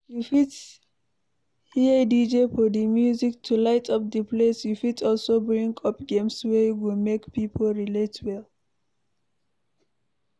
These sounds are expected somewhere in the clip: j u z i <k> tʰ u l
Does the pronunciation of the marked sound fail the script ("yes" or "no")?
no